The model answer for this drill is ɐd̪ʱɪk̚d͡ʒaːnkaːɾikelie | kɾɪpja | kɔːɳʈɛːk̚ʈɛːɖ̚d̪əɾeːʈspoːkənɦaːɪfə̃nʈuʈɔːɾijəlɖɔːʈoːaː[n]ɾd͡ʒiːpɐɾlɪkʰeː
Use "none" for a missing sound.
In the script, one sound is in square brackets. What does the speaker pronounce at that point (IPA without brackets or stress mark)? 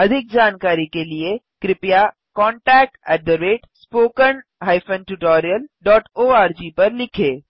none